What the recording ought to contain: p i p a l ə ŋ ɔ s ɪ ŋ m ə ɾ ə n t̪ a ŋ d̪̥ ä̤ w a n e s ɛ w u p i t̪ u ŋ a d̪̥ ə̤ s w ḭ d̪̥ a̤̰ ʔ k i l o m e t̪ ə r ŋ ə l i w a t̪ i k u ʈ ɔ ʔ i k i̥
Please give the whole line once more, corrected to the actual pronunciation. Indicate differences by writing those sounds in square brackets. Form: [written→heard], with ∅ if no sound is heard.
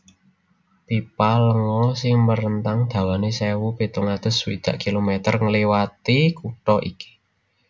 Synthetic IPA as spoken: p i p a l ə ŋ ɔ s ɪ ŋ m ə ɾ ə n t̪ a ŋ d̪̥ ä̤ w a n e s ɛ w u p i t̪ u ŋ a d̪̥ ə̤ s w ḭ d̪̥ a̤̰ ʔ k i l o m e t̪ ə r ŋ ə l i w a t̪ i k u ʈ ɔ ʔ i k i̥